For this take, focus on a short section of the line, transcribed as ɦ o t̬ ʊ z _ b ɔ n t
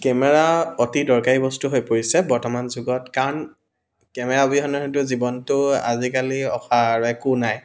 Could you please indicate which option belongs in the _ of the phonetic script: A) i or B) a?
A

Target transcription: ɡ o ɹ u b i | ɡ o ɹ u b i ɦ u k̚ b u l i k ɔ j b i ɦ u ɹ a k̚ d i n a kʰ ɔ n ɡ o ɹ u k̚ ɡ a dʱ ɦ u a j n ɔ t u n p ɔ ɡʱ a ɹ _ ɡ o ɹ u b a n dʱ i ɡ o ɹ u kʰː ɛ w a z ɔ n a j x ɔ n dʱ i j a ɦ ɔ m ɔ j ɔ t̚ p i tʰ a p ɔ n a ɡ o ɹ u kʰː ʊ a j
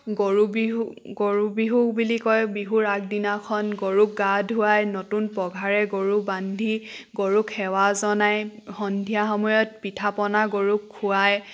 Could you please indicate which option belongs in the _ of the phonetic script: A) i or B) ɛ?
B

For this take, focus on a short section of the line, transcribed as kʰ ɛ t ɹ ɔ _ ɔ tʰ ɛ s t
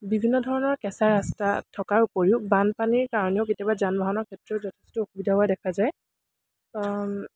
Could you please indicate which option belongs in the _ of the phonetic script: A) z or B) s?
A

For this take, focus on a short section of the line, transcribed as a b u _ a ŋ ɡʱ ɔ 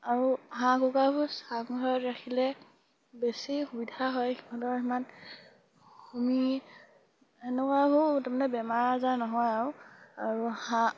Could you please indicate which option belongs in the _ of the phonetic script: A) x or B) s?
B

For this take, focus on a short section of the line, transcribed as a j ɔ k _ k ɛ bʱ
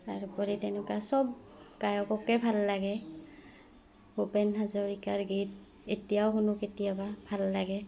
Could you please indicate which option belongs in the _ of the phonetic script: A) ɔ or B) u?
A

